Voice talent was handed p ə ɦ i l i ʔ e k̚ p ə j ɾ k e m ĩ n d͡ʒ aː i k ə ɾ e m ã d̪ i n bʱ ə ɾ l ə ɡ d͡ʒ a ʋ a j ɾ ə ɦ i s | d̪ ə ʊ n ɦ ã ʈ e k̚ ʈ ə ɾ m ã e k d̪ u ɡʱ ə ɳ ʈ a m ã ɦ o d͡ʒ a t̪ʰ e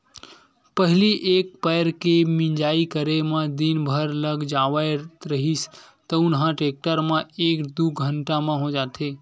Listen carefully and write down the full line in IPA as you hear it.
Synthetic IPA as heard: p ə ɦ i l i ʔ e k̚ p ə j ɾ k e m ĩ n d͡ʒ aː i k ə ɾ e m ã d̪ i n bʱ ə ɾ l ə ɡ d͡ʒ a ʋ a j ɾ ə ɦ i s | t̪ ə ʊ n ɦ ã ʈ e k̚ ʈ ə ɾ m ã e k d̪ u ɡʱ ə ɳ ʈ a m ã ɦ o d͡ʒ a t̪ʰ e

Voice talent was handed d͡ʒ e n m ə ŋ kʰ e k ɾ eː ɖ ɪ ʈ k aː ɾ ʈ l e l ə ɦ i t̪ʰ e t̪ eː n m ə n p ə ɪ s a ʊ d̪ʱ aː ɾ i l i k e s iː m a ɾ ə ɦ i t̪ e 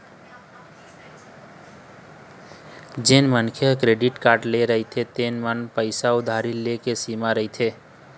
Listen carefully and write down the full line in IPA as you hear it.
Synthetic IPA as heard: d͡ʒ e n m ə n kʰ e k ɾ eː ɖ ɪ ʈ k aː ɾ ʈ l e ɾ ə ɦ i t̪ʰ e t̪ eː n m ə n p ə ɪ s a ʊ d̪ʱ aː ɾ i l e k e s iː m a ɾ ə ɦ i t̪ʰ e

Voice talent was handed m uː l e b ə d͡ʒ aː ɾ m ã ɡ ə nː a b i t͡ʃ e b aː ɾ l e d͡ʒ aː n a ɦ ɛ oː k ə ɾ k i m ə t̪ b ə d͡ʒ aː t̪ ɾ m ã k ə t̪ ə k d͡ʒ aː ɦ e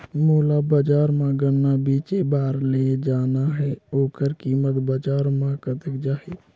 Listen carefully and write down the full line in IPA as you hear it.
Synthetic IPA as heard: m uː l a b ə d͡ʒ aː ɾ m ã ɡ ə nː a b i t͡ʃ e b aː ɾ l e d͡ʒ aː n a ɦ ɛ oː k ə ɾ k i m ə t̪ b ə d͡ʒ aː ɾ m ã k ə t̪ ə k d͡ʒ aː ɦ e

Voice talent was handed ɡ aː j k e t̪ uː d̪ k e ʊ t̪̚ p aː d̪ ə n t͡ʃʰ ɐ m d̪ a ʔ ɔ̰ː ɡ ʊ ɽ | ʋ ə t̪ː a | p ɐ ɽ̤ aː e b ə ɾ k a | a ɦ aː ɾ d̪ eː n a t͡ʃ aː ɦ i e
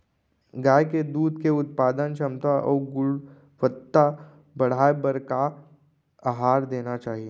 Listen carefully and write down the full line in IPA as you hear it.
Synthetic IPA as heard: ɡ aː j k e d̪ uː d̪ k e ʊ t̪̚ p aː d̪ ə n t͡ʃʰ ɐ m t̪ a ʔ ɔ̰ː ɡ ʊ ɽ | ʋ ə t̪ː a | b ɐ ɽ̤ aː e b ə ɾ k a | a ɦ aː ɾ d̪ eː n a t͡ʃ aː ɦ i e

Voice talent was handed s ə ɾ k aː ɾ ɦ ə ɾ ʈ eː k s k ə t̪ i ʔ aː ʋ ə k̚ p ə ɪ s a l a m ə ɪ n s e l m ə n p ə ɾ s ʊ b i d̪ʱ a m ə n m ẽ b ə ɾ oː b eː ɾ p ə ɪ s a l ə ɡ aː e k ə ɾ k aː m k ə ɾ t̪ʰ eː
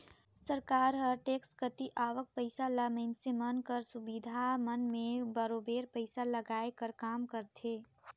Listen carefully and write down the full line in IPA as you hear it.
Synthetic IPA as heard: s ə ɾ k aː ɾ ɦ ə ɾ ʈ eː k s k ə t̪ i ʔ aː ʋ ə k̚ p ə ɪ s a l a m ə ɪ n s e m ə n k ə ɾ s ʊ b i d̪ʱ a m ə n m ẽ b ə ɾ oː b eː ɾ p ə ɪ s a l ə ɡ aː e k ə ɾ k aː m k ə ɾ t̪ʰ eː

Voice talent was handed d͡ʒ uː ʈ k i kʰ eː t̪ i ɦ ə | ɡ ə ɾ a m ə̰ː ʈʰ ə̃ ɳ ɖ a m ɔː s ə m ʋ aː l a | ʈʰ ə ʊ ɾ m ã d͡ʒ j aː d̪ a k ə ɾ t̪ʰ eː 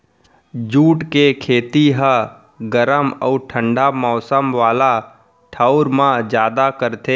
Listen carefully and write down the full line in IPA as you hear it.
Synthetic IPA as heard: d͡ʒ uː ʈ k e kʰ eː t̪ i ɦ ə | ɡ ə ɾ ə m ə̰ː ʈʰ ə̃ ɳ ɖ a m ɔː s ə m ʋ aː l a | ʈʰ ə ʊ ɾ m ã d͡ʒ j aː d̪ a k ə ɾ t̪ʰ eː

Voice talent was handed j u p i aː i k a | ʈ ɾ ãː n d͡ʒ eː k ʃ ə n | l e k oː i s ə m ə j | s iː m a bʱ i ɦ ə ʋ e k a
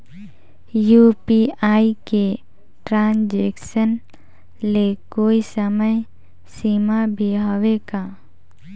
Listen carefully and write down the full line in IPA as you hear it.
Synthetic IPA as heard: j u p i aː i k e | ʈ ɾ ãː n d͡ʒ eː k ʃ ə n | l e k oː i s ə m ə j | s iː m a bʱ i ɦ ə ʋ e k a

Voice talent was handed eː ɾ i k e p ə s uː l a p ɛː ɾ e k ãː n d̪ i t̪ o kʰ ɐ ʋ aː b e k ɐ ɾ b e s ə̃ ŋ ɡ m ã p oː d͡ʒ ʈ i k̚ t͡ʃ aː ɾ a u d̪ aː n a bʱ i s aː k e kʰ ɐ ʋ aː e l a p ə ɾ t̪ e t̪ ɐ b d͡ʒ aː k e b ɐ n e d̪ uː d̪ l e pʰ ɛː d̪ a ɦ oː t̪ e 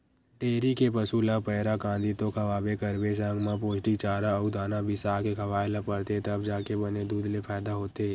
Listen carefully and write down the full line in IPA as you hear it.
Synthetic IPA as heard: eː ɾ i k e p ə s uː l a p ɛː ɾ a k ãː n d̪ i t̪ o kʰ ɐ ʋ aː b e k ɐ ɾ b e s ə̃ ŋ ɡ m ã p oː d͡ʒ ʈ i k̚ t͡ʃ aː ɾ a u d̪ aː n a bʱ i s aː k e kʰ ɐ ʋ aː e l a p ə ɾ t̪ e t̪ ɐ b d͡ʒ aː k e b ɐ n e d̪ uː d̪ l e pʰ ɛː d̪ a ɦ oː t̪ e

